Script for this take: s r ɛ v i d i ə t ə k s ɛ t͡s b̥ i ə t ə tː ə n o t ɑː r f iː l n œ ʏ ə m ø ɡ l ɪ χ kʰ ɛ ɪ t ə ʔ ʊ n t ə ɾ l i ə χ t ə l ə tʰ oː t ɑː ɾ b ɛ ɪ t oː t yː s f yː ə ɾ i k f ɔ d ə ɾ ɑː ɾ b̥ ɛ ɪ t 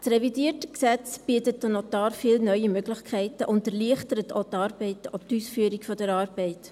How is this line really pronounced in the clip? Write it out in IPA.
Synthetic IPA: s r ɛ v i d i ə t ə k s ɛ t͡s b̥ i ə t ə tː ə n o t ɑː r f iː l n œ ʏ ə m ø ɡ l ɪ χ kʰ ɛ ɪ t ə ʔ ʊ n t ə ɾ l i ə χ t ə ɾ ə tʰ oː t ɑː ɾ b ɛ ɪ t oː t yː s f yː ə ɾ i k f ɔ d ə ɾ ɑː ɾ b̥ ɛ ɪ t